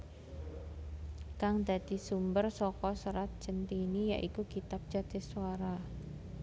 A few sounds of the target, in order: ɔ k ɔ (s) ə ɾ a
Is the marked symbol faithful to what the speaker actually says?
yes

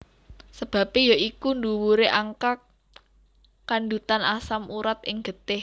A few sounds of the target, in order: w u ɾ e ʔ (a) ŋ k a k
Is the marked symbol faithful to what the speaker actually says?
yes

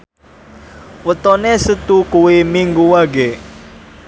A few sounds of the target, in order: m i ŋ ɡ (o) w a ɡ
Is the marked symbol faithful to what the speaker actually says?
no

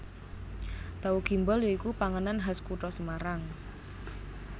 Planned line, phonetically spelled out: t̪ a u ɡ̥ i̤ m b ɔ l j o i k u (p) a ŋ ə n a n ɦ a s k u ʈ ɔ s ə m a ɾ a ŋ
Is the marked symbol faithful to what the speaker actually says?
yes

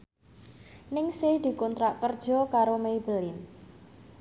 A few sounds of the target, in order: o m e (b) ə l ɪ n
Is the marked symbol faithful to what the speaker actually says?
yes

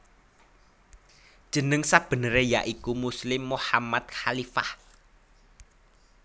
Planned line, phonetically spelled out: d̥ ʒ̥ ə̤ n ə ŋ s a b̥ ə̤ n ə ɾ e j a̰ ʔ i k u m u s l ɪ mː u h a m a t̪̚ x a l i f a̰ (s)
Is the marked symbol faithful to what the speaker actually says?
no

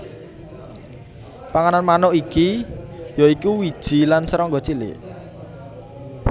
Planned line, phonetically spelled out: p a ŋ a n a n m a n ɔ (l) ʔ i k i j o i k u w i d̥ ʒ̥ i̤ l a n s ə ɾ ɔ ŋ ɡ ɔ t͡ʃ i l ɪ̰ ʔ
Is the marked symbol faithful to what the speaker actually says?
no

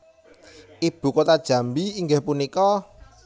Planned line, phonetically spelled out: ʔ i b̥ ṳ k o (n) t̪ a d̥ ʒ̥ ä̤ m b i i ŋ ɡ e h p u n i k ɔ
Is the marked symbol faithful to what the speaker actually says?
no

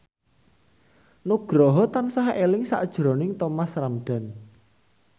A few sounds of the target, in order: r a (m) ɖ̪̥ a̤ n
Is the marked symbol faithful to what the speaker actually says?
yes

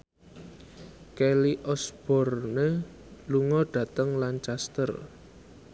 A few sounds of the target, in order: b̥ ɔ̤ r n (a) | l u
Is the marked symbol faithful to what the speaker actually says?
no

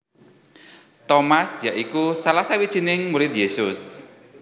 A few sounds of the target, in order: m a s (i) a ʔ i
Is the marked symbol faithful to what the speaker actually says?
no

